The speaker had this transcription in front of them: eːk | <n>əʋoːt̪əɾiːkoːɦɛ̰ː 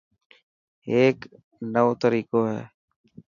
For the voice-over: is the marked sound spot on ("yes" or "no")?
yes